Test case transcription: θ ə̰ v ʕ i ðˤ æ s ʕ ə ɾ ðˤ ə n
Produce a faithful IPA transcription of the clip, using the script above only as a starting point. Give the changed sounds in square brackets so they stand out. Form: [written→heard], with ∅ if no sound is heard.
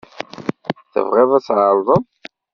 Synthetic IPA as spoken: θ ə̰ v [ʕ→ʁ] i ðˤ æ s ʕ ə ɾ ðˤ ə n